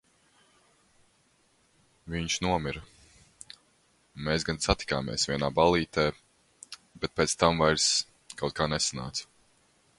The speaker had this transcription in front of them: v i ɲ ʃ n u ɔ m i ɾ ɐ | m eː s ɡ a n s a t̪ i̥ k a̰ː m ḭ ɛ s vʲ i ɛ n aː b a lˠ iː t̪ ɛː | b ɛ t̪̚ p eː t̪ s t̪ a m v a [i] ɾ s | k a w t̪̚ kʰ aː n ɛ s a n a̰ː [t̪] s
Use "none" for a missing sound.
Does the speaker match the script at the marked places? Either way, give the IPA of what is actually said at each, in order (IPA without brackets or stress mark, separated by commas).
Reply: j, t̪